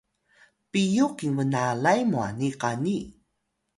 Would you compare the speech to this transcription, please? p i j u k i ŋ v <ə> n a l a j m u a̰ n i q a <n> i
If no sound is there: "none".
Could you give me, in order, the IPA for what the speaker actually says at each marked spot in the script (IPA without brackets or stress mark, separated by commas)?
ə, n